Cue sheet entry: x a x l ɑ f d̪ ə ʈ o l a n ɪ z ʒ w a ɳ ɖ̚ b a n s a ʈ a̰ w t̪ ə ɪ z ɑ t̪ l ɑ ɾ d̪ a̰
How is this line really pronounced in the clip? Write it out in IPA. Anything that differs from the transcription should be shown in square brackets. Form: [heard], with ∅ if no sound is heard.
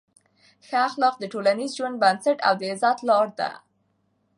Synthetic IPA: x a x l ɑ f d̪ ə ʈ o l a n [i] z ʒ w a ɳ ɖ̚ b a n s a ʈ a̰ w [d̪] ə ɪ z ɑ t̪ l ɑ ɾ d̪ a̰